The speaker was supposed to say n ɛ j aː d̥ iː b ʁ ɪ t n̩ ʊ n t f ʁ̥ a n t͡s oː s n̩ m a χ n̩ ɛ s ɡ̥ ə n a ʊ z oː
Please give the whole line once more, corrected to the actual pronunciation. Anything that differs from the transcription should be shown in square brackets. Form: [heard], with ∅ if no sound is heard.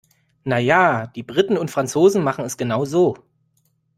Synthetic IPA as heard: n [a] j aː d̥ iː b ʁ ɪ t n̩ ʊ n t f ʁ̥ a n t͡s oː [z] n̩ m a χ n̩ ɛ s ɡ̥ ə n a ʊ z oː